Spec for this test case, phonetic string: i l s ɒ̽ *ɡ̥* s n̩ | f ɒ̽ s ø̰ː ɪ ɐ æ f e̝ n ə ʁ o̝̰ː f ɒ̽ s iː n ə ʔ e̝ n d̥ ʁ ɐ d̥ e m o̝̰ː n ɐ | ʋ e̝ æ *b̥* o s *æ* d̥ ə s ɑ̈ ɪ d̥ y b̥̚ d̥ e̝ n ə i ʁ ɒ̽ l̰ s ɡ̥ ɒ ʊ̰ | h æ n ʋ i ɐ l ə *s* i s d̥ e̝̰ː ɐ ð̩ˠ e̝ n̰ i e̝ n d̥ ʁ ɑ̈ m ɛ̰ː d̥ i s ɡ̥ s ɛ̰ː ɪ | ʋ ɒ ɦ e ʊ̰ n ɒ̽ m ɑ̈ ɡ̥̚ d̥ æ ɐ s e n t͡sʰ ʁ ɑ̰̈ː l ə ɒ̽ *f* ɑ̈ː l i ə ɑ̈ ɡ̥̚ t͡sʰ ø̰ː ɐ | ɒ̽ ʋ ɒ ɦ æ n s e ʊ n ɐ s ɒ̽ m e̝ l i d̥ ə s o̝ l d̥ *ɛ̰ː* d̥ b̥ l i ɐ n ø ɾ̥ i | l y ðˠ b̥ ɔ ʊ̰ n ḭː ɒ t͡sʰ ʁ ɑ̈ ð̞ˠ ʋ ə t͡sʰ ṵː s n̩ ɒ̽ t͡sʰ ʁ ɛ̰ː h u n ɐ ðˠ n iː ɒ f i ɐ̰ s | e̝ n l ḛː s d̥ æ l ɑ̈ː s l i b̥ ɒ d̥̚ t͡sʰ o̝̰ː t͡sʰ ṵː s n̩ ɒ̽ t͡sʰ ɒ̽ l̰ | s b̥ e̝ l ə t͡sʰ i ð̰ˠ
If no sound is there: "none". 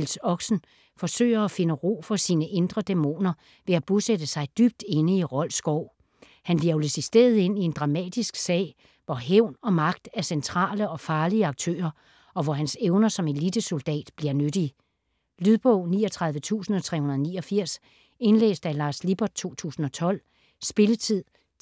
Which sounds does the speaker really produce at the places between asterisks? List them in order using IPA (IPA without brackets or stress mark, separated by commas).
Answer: ɡ̥, b̥, e, s, f, ɛ̰ː